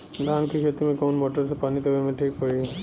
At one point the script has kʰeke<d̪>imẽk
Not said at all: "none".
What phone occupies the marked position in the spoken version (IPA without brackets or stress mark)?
t̪